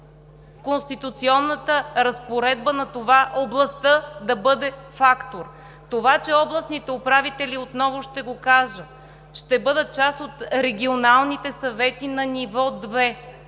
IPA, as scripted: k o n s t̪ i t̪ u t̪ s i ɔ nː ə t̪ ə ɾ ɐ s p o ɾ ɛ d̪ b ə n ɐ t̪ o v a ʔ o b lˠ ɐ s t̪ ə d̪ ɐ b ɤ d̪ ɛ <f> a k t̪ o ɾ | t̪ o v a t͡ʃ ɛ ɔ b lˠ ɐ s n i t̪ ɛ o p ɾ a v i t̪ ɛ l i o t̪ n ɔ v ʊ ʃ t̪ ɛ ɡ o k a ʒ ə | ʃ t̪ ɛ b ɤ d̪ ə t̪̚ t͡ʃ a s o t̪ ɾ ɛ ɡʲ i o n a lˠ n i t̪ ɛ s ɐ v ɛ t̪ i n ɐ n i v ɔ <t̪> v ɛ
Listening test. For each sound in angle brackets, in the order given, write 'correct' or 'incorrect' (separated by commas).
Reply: correct, incorrect